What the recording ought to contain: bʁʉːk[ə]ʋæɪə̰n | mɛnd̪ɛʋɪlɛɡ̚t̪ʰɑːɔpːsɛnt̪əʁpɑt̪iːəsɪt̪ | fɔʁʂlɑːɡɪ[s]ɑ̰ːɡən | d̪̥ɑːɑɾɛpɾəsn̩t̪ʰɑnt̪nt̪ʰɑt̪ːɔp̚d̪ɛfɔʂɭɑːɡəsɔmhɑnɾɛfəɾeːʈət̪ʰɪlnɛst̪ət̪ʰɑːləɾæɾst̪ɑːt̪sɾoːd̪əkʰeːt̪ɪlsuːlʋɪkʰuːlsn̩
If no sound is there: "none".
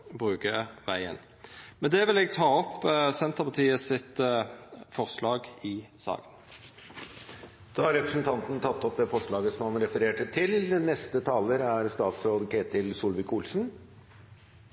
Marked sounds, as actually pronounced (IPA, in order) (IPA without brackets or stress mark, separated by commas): ə, s